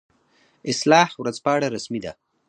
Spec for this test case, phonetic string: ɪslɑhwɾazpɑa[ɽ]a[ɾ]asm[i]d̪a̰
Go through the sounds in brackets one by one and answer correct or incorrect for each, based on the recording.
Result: correct, correct, correct

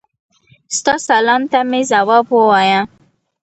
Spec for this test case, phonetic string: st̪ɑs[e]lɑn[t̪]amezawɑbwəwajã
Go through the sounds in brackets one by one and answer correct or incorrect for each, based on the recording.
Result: incorrect, correct

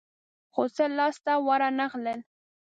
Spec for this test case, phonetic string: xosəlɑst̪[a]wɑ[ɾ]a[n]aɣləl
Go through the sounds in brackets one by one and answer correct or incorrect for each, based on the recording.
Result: correct, correct, correct

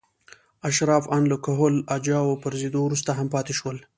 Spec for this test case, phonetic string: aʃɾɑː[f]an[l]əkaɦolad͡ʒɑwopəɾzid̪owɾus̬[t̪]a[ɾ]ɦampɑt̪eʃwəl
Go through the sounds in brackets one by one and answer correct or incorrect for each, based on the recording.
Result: correct, correct, correct, incorrect

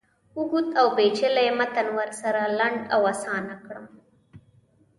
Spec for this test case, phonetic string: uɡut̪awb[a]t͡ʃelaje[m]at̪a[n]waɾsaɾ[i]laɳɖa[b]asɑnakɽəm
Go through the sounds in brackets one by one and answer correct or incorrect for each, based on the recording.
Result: incorrect, correct, correct, incorrect, incorrect

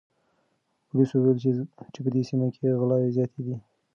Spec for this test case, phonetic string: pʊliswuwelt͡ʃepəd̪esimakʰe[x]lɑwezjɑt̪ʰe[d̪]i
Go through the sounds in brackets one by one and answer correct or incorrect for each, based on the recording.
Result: incorrect, correct

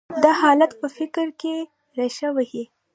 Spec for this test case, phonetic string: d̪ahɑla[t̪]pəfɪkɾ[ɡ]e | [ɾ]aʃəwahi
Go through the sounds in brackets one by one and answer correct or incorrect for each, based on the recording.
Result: correct, incorrect, correct

